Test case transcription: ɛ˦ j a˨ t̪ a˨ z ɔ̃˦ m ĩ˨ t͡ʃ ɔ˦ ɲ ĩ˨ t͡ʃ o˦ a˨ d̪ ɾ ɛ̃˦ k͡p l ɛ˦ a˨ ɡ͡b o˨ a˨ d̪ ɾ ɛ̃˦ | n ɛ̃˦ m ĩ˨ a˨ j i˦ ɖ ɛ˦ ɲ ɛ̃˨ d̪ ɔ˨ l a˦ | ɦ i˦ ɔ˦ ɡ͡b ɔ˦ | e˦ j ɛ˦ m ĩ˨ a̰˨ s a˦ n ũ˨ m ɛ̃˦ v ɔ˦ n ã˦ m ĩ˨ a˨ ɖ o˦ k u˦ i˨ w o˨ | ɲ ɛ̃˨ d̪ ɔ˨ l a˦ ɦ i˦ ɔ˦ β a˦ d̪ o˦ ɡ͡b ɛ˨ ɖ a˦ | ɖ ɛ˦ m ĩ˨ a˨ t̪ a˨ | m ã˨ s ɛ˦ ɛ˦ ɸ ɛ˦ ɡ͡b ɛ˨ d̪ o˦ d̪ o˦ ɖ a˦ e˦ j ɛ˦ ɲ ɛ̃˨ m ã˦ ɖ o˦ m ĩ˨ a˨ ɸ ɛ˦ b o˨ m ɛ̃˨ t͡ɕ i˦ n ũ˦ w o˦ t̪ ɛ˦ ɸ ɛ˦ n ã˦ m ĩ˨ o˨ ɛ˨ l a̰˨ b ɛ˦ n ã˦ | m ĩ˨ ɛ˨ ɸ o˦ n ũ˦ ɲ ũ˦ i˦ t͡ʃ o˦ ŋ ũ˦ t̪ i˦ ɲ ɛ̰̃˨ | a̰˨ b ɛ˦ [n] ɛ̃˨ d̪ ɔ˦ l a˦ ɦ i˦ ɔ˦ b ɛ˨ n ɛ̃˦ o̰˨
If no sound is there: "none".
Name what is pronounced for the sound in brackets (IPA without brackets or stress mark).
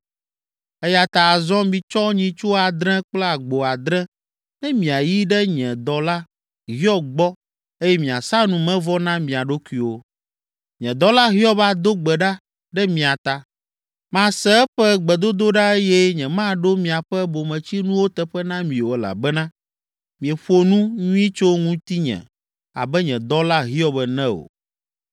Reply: ɲ